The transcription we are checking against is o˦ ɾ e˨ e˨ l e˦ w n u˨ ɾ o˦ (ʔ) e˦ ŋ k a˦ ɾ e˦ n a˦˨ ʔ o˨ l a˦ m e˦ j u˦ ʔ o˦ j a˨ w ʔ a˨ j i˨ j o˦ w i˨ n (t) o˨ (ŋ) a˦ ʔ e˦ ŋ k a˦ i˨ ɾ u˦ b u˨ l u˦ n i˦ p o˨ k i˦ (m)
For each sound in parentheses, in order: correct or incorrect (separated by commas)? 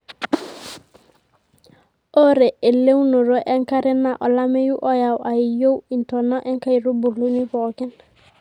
correct, correct, incorrect, incorrect